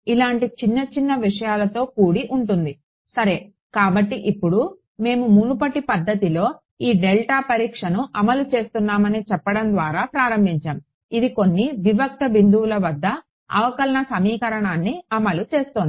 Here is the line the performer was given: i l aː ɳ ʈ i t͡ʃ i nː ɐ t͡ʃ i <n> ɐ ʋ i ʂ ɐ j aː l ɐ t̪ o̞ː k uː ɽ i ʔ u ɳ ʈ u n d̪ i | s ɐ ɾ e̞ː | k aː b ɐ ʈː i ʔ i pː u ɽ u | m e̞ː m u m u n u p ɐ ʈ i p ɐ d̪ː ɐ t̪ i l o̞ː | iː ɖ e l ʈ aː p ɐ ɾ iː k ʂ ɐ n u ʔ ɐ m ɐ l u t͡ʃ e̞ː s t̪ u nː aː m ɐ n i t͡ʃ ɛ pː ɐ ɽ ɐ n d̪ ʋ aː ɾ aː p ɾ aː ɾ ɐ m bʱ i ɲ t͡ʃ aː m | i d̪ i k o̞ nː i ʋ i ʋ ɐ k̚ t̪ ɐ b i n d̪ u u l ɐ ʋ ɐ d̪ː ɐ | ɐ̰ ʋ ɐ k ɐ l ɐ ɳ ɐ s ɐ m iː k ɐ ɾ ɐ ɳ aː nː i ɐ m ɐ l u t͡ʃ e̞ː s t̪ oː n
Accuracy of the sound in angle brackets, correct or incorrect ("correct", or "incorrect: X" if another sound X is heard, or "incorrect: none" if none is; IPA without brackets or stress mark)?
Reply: incorrect: nː